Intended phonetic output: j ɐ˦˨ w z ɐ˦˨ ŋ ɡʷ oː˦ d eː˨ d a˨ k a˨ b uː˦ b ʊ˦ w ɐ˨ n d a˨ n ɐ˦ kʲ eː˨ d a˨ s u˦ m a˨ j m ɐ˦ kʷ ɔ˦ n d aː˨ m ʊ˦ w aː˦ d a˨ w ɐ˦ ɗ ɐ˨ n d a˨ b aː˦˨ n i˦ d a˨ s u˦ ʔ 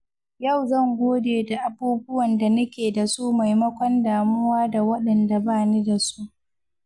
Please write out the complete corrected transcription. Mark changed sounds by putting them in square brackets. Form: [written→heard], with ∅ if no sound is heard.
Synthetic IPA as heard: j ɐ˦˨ w z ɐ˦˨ ŋ ɡʷ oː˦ d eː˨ d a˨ [k→ʔ] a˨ b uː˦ b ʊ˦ w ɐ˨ n d a˨ n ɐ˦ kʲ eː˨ d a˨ s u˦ m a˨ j m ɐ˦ kʷ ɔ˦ n d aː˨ m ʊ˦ w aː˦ d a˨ w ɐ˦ ɗ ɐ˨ n d a˨ b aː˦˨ n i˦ d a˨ s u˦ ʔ